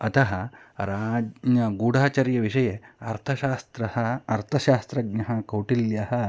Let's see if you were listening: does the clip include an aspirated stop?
yes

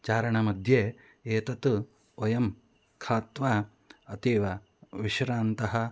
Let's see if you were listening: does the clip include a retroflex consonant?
yes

